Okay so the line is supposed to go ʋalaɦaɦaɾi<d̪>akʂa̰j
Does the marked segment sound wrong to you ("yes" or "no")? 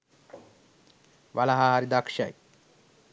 no